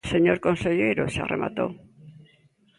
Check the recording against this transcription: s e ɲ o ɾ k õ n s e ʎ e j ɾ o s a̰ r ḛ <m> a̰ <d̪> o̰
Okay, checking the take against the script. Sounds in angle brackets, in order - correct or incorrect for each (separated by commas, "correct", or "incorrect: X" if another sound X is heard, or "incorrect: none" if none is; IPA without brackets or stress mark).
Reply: correct, incorrect: t̪